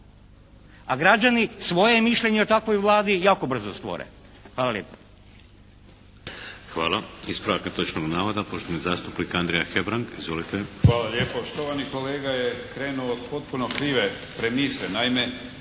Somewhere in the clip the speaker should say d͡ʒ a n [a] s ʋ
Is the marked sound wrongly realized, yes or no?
yes